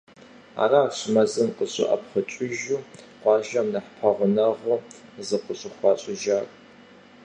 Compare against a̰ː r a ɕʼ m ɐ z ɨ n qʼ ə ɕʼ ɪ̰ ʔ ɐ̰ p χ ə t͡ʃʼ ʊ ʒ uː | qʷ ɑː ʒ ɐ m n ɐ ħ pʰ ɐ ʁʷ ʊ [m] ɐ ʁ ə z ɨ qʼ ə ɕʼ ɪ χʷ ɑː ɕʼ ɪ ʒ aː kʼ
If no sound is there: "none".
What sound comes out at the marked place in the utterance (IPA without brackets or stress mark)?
n